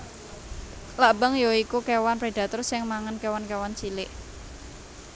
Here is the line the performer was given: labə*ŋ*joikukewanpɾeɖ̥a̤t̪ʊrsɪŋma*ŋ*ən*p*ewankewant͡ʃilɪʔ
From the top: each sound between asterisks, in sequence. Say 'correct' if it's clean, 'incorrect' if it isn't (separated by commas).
correct, correct, incorrect